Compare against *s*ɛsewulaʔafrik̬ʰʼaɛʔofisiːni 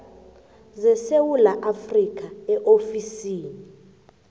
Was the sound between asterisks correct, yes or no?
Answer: no